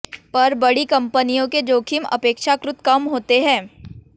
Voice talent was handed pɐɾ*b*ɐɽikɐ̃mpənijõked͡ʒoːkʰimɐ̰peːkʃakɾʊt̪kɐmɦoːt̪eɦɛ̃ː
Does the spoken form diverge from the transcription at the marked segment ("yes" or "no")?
no